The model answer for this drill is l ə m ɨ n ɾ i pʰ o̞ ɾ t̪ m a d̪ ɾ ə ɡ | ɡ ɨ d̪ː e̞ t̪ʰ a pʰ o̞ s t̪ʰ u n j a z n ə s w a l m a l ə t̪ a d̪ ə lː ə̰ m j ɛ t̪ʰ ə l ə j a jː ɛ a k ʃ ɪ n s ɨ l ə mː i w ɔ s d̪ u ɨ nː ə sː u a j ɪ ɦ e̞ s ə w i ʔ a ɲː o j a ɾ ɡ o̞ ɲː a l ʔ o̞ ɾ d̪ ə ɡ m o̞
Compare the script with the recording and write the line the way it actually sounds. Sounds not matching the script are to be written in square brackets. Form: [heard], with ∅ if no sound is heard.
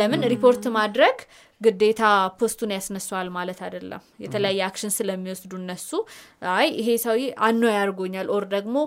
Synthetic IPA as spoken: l ə m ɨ n ɾ i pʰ o̞ ɾ t̪ m a d̪ ɾ ə ɡ | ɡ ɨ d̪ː e̞ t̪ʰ a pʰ o̞ s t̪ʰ u n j a [s] n ə s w a l m a l ə t̪ a d̪ ə lː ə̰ m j ɛ t̪ʰ ə l ə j a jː ɛ a k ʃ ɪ n s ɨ l ə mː i w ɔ s d̪ u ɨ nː ə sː u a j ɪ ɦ e̞ s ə w i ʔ a [nː] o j a ɾ ɡ o̞ ɲː a l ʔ o̞ ɾ d̪ ə ɡ m o̞